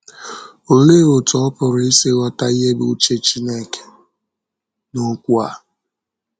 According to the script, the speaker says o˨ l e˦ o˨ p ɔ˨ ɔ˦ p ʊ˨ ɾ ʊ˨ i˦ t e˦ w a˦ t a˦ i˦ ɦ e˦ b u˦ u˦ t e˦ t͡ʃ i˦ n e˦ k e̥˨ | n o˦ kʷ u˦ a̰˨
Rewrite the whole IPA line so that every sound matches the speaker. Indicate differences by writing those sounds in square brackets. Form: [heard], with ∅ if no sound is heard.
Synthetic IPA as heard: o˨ l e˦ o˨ [t] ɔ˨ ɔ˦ p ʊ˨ ɾ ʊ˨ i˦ [s] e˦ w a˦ t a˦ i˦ ɦ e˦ b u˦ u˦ [t͡ʃ] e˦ t͡ʃ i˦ n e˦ k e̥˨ | n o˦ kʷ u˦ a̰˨